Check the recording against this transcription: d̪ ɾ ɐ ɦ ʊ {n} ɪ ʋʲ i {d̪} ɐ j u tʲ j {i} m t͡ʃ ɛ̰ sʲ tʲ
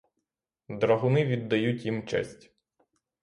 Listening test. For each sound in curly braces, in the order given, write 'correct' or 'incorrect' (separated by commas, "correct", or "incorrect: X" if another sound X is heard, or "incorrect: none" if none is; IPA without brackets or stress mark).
correct, incorrect: d̪ː, correct